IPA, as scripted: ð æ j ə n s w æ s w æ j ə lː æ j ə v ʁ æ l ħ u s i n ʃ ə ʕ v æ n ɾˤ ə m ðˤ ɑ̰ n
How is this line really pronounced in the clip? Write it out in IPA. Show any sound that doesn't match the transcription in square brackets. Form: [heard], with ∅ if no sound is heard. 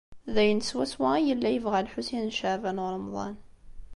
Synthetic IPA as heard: ð æ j ə n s w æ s w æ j ə lː æ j ə v ʁ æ l ħ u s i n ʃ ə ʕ v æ n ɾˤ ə m ðˤ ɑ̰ n